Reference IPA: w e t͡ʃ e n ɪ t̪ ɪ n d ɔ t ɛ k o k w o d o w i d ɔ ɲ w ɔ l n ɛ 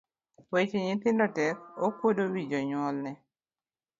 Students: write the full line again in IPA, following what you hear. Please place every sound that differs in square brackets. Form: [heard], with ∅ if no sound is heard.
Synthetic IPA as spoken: w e t͡ʃ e [ɲ] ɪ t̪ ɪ n d ɔ t ɛ k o k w o d o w i [d͡ʒ] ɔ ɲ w ɔ l n ɛ